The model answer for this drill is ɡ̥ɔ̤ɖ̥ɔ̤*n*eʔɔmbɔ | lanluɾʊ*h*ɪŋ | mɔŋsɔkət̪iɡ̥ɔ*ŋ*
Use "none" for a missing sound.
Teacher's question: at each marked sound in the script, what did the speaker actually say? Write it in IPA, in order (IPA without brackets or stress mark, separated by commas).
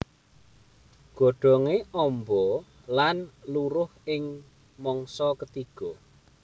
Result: ŋ, h, none